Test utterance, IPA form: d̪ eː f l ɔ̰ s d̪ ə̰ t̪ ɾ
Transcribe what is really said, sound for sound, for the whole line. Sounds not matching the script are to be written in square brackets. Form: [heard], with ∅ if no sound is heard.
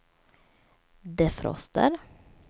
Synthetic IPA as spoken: d̪ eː f [ɾ] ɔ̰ s [t̪] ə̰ [∅] ɾ

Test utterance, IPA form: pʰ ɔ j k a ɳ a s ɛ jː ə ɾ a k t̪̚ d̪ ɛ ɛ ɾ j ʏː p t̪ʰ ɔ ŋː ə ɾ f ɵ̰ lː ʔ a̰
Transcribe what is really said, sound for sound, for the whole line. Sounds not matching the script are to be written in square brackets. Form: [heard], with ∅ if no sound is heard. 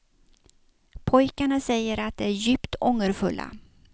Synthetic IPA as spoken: pʰ ɔ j k a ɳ a s ɛ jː ə ɾ a [∅] t̪̚ d̪ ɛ [æ] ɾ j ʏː p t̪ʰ ɔ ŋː ə ɾ f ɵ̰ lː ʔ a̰

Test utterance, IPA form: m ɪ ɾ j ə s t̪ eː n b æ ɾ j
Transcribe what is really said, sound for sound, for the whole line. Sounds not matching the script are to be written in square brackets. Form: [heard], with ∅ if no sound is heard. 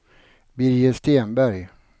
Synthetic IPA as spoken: [b] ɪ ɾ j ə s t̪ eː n b æ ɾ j

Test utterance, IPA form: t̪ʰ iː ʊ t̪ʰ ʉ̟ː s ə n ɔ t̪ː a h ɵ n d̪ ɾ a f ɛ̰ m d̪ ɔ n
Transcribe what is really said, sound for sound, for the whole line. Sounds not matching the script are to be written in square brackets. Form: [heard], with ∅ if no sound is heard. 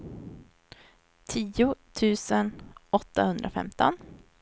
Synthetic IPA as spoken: t̪ʰ iː ʊ t̪ʰ ʉ̟ː s ə n ɔ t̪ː a h ɵ n d̪ ɾ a f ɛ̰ m [t̪] ɔ n

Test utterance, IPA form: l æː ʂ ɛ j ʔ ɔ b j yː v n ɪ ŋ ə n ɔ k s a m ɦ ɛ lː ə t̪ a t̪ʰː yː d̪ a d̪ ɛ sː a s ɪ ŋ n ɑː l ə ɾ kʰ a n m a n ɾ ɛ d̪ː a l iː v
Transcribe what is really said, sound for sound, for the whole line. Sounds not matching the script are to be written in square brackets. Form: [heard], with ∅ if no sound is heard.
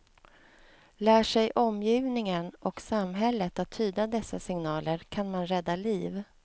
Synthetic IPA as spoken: l æː ʂ ɛ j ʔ ɔ [m] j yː v n ɪ ŋ ə n ɔ k s a m ɦ ɛ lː ə t̪ a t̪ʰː yː d̪ a d̪ ɛ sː a s ɪ ŋ n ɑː l ə ɾ kʰ a n m a n ɾ ɛ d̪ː a l iː v

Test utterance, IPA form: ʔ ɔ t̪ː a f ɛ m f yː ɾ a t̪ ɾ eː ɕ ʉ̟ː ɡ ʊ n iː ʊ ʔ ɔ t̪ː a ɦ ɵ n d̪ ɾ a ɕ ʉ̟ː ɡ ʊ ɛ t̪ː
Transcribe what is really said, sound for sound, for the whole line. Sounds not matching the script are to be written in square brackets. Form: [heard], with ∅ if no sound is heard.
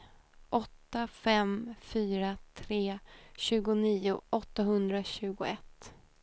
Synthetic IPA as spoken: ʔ ɔ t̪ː a f ɛ m f yː ɾ a [t̪ʰ] ɾ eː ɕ ʉ̟ː ɡ ʊ n iː ʊ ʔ ɔ t̪ː a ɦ ɵ n d̪ ɾ a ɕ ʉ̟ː ɡ ʊ ɛ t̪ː

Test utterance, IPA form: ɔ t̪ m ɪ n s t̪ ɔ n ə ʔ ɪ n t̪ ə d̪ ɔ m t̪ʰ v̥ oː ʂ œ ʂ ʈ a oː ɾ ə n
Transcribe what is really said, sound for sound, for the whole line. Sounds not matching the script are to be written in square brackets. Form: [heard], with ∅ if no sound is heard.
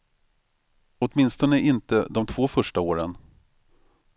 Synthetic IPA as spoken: ɔ t̪ m ɪ n s t̪ ɔ n ə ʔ ɪ n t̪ ə d̪ ɔ m t̪ʰ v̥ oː [f] œ ʂ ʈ a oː ɾ ə n

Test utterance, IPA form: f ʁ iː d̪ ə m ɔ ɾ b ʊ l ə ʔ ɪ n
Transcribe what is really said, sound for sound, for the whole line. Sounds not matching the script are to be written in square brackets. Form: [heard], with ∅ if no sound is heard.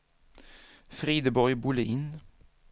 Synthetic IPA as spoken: f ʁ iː d̪ ə [b] ɔ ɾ b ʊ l ə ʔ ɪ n

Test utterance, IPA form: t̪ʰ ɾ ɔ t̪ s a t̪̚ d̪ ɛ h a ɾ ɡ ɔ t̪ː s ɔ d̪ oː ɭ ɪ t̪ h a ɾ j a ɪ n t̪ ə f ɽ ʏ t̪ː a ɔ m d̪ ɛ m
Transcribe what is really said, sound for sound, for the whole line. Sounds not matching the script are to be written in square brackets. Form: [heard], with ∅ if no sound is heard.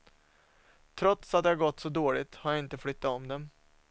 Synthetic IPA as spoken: t̪ʰ ɾ ɔ t̪ s a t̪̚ d̪ ɛ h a ɾ ɡ ɔ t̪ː s ɔ d̪ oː ɭ ɪ t̪ h a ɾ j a ɪ n t̪ ə f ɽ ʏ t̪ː a ɔ m d̪ ɛ m

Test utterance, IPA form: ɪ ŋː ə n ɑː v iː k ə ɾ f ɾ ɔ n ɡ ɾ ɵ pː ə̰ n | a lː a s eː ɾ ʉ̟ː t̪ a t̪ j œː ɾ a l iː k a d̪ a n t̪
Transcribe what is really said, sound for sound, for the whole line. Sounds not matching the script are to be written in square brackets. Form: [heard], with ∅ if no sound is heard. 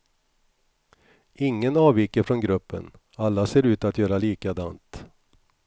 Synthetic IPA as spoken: ɪ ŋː ə n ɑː v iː k ə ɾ f ɾ ɔ n ɡ ɾ ɵ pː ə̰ n | a lː a s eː ɾ ʉ̟ː t̪ a t̪ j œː ɾ a l iː k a d̪ a n t̪

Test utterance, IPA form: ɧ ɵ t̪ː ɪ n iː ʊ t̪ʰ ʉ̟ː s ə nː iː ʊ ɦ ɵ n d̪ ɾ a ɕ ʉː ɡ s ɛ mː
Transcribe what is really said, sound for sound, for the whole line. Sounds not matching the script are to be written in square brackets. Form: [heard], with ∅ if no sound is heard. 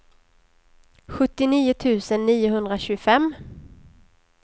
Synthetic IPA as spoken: ɧ ɵ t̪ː ɪ n iː ʊ t̪ʰ ʉ̟ː s ə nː iː ʊ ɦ ɵ n d̪ ɾ a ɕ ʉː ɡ [f] ɛ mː

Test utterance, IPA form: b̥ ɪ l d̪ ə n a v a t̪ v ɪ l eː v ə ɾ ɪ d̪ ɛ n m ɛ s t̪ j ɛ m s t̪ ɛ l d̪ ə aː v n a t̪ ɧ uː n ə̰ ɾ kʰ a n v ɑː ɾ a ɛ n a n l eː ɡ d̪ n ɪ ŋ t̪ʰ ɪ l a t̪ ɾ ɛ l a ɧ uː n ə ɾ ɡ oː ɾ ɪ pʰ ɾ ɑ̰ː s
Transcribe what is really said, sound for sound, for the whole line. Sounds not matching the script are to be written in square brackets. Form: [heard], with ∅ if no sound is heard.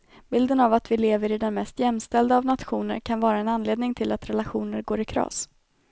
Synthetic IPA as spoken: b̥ ɪ l d̪ ə n a v a t̪ v ɪ l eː v ə ɾ ɪ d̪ ɛ n m ɛ s t̪ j ɛ m s t̪ ɛ l d̪ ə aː v n a t̪ ɧ uː n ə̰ ɾ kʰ a n v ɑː ɾ a ɛ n a n l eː [∅] d̪ n ɪ ŋ t̪ʰ ɪ l a t̪ ɾ ɛ l a ɧ uː n ə ɾ ɡ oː ɾ ɪ [kʰ] ɾ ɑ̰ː s

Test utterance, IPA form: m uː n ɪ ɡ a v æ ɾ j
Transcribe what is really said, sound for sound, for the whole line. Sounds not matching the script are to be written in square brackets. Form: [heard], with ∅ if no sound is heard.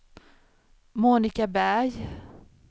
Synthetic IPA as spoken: m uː n ɪ [k] a [b] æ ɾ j

